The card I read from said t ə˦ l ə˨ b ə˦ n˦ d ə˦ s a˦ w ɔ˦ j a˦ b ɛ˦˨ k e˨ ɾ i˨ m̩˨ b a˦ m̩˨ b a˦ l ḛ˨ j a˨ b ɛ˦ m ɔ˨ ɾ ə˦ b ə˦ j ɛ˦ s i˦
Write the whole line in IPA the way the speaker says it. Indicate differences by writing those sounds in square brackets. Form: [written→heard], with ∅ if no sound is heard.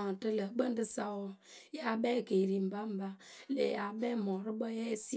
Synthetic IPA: t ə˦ l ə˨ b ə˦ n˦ d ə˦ s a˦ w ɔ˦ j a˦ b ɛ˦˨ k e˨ ɾ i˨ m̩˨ b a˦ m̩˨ b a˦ l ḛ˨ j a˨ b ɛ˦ m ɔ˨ ɾ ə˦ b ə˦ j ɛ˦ s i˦